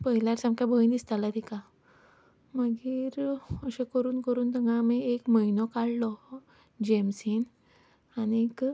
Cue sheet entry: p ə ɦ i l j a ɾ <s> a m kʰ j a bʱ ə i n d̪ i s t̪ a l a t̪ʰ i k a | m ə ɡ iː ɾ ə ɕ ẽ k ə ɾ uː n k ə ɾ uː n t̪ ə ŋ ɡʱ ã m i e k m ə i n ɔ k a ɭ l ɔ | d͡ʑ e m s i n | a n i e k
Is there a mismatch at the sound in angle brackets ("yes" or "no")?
no